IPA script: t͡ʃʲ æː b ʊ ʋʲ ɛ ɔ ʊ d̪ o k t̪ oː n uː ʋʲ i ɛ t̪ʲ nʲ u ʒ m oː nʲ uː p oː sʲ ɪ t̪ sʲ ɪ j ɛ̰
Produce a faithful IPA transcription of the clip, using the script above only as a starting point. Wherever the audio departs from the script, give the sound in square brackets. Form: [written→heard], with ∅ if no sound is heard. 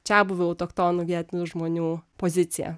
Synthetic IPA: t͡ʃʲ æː b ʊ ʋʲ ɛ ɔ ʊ [d̪→t̪] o k t̪ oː n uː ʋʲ i ɛ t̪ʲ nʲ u ʒ m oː nʲ uː p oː [sʲ→zʲ] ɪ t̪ sʲ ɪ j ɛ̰